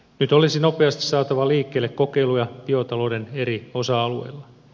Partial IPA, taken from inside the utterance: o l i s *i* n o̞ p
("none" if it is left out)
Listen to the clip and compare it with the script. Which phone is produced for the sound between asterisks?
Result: i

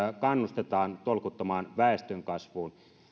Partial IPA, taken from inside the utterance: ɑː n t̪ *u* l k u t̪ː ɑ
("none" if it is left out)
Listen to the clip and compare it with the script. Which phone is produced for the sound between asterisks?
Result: o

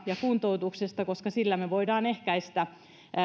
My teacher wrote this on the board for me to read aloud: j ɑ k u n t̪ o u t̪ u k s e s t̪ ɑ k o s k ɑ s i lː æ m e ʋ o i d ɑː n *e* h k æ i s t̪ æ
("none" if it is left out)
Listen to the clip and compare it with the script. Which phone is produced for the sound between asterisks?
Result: e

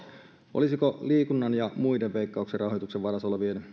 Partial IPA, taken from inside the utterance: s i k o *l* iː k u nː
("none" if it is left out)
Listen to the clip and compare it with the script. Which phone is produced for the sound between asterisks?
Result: l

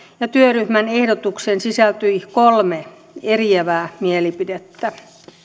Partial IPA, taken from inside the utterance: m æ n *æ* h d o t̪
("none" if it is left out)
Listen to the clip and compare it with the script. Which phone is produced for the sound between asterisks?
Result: e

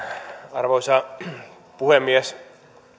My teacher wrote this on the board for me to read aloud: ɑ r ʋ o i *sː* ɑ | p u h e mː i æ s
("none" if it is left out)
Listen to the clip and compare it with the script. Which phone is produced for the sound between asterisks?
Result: s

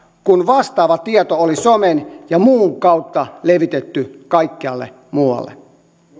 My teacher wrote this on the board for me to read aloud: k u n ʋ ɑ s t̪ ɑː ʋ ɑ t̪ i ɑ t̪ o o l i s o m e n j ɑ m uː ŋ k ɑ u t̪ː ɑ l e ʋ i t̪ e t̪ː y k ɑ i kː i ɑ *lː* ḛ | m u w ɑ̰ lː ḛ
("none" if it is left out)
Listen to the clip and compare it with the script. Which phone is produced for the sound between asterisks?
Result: lː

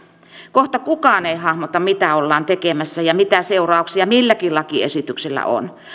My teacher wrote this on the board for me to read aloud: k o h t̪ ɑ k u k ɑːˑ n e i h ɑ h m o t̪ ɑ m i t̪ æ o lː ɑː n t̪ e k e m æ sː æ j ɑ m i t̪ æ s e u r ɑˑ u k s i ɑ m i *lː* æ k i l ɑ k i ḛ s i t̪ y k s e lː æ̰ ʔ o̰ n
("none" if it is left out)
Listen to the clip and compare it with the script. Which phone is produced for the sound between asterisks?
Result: lː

